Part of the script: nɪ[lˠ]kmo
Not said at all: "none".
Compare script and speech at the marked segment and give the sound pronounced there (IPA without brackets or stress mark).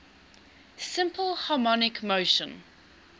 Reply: none